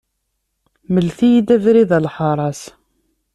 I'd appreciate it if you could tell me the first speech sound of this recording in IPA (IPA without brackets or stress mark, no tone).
m